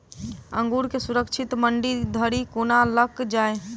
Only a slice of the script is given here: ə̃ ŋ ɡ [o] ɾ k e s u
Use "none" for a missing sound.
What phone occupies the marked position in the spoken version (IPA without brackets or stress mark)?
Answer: u